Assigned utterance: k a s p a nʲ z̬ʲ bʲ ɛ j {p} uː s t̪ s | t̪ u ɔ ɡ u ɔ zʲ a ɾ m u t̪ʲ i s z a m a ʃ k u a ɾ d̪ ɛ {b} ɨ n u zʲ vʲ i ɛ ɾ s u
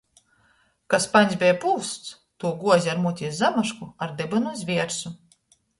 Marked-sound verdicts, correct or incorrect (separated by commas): correct, correct